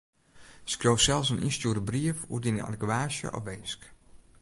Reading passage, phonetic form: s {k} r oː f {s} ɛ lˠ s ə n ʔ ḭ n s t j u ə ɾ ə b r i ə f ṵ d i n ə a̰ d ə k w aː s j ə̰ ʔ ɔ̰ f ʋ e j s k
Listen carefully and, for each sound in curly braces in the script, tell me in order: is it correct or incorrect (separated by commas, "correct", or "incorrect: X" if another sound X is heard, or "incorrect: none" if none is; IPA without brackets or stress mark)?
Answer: correct, correct